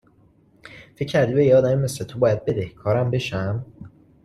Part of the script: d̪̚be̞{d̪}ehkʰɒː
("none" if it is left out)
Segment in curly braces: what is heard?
d̪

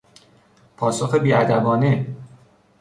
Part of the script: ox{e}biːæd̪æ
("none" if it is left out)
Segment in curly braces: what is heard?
e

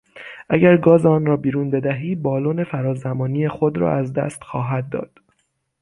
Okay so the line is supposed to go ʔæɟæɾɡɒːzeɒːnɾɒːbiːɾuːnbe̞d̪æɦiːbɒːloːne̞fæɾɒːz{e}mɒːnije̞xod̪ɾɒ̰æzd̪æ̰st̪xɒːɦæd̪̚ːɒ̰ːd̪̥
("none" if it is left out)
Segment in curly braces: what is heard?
æ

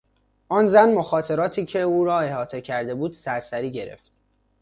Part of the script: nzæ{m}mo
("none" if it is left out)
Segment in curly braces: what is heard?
n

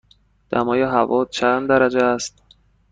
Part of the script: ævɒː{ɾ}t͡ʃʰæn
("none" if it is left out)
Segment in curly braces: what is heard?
none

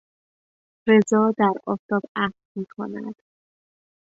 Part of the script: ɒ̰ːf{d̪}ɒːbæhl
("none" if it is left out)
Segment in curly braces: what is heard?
t̪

